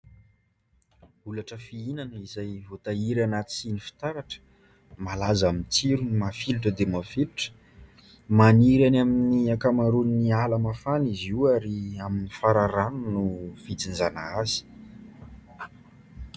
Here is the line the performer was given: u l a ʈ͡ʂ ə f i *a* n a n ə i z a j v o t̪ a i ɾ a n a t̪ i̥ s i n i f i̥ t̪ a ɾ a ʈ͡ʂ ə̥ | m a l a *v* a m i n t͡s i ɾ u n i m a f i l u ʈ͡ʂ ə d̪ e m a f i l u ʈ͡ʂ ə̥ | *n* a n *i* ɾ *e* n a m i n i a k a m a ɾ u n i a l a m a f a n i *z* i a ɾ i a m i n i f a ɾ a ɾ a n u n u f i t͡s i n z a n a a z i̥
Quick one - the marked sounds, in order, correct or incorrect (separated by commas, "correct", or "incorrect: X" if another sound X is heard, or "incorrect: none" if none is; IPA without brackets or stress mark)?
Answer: incorrect: i, incorrect: z, incorrect: m, correct, incorrect: a, correct